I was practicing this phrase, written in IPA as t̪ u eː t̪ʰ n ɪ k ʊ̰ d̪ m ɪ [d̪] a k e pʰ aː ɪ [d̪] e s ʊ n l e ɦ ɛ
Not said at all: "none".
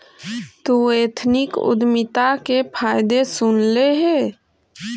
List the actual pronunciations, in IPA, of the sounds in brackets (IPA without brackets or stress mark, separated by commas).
t̪, d̪